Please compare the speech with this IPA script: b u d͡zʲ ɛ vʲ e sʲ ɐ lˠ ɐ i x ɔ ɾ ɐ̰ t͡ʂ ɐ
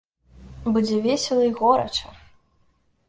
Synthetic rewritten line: b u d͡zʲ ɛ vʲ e sʲ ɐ lˠ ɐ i ɣ ɔ ɾ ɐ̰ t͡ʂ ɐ